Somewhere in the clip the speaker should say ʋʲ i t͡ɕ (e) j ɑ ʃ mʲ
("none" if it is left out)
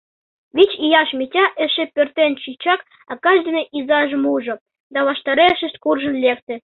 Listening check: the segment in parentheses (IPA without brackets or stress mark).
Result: i